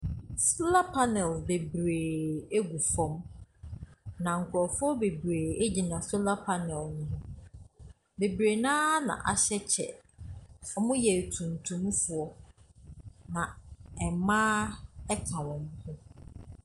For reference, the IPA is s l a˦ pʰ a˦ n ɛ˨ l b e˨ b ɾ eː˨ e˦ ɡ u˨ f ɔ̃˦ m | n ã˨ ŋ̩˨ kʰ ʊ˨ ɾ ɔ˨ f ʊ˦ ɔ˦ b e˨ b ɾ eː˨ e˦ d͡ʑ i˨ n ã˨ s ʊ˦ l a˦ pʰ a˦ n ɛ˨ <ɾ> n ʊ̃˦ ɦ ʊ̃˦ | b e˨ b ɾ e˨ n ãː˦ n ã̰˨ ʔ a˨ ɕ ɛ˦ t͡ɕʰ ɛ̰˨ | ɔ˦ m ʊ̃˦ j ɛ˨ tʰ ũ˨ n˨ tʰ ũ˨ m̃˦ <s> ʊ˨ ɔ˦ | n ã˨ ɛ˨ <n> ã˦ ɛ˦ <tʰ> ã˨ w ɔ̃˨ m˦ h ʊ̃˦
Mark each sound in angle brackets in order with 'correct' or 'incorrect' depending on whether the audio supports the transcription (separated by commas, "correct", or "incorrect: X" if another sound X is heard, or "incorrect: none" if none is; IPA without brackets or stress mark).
incorrect: l, incorrect: f, incorrect: m, incorrect: kʰ